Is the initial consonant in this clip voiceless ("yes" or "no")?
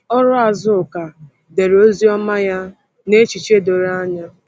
no